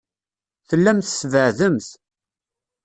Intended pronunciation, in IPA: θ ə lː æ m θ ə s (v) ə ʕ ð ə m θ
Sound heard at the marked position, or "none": v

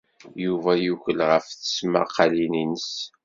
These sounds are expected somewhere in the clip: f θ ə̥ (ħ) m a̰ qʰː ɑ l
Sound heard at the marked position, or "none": s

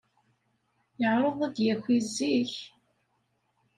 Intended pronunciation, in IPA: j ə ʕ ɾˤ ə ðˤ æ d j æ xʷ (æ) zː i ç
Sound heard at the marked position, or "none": i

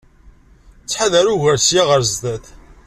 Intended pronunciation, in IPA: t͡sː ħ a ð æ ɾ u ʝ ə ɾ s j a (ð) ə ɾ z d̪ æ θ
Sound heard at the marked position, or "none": ʁ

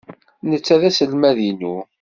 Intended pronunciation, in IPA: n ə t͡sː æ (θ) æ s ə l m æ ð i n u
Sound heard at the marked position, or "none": ð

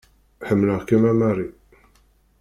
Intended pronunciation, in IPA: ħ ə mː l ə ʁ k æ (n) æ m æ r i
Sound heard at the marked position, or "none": m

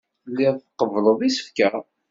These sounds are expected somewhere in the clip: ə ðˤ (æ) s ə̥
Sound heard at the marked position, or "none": i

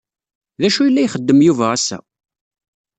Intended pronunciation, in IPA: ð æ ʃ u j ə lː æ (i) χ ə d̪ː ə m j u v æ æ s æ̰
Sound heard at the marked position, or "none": j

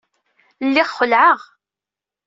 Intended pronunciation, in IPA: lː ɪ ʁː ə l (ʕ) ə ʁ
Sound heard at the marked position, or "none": ʕ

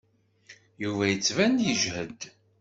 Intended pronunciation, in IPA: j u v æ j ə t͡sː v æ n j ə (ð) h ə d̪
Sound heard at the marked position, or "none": ʒ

